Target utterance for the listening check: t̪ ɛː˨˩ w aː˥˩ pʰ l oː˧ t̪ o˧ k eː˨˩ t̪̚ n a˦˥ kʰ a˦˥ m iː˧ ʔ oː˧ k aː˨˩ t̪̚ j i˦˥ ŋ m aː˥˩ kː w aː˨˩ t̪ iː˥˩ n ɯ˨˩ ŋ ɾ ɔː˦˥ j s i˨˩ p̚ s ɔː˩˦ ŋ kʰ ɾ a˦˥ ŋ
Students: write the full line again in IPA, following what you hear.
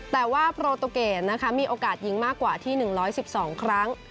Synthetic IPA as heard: t̪ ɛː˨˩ w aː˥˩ pʰ ɾ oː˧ t̪ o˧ k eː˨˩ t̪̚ n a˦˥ kʰ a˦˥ m iː˧ ʔ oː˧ k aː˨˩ t̪̚ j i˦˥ ŋ m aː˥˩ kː w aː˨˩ t̪ʰ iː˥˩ n ɯ˨˩ ŋ ɾ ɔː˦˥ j s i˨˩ p̚ s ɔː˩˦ ŋ kʰ ɾ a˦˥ ŋ